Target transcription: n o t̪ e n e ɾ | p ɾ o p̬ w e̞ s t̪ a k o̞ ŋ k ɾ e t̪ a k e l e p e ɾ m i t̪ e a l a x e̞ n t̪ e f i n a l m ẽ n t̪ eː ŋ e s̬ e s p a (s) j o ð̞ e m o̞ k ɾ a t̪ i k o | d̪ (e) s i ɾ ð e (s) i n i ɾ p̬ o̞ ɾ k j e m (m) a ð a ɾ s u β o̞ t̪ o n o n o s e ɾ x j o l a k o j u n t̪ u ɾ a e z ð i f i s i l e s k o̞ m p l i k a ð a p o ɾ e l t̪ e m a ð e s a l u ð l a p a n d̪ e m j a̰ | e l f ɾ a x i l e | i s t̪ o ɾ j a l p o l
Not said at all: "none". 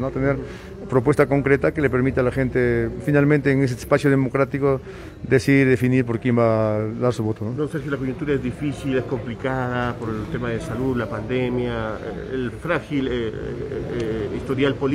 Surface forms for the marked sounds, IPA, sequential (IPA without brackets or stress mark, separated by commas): s, e, f, b